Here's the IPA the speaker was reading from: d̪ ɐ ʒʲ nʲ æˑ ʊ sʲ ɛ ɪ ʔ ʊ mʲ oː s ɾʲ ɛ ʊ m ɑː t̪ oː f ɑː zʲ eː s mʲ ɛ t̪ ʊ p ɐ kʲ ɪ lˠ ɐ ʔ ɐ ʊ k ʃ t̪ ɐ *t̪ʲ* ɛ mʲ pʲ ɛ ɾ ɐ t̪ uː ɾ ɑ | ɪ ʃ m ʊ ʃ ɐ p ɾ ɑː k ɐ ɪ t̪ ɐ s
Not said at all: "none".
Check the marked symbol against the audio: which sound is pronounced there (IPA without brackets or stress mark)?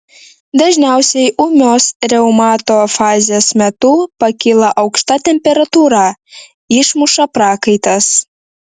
t̪ʲ